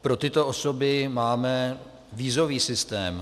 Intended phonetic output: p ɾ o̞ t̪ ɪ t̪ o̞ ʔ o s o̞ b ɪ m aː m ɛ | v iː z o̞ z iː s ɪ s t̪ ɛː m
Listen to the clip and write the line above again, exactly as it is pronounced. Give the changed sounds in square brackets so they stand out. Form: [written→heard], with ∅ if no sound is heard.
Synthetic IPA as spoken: p ɾ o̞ t̪ ɪ t̪ o̞ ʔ o s o̞ b ɪ m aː m ɛ | v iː z o̞ [z→v] iː s ɪ s t̪ ɛː m